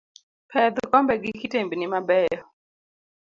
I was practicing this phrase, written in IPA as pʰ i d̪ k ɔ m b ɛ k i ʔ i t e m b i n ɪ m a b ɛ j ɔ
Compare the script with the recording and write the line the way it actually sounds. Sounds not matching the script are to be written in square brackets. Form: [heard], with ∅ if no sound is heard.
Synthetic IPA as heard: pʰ [ɛ] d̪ k ɔ m b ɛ [ɡ] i [k] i t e m b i n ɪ m a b ɛ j ɔ